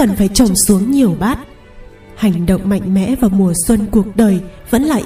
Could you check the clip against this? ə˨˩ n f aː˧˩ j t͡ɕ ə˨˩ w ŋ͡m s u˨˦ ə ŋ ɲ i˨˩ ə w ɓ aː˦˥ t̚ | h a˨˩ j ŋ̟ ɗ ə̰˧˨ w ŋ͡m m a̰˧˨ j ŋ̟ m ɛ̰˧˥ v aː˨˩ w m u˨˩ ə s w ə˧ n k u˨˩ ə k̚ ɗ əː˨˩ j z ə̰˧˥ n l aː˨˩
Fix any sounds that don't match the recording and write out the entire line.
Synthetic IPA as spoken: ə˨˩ n f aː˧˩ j t͡ɕ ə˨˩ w ŋ͡m s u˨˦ ə ŋ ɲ i˨˩ ə w ɓ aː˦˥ t̚ | h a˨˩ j ŋ̟ ɗ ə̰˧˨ w ŋ͡m m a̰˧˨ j ŋ̟ m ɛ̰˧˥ v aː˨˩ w m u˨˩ ə s w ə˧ n k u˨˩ ə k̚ ɗ əː˨˩ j v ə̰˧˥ n l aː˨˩